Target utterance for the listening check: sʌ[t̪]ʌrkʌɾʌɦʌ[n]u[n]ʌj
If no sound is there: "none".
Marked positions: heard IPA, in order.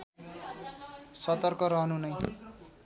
t̪, n, n

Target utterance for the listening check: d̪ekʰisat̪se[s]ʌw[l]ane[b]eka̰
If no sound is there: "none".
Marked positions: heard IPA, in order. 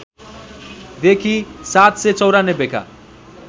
t͡s, ɾ, b

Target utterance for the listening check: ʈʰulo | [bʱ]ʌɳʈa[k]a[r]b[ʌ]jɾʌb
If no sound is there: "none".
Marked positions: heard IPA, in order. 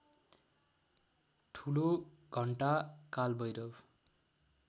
ɡʱ, k, l, ʌ

